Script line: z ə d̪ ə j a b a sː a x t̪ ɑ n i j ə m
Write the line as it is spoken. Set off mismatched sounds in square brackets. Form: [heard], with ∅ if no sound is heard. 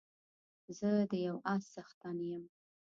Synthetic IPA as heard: z ə d̪ ə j a [w] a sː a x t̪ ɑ n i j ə m